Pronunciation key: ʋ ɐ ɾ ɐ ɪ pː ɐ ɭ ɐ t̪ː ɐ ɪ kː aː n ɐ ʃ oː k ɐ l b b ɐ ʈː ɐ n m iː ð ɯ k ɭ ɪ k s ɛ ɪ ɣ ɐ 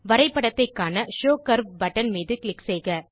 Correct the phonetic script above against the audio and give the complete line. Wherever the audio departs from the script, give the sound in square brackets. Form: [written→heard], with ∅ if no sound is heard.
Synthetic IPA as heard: ʋ ɐ ɾ ɐ ɪ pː ɐ [ɭ→ɽ] ɐ t̪ː ɐ ɪ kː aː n ɐ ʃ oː k ɐ [l→ɾ] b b ɐ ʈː ɐ n m iː ð ɯ k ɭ ɪ k s ɛ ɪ ɣ ɐ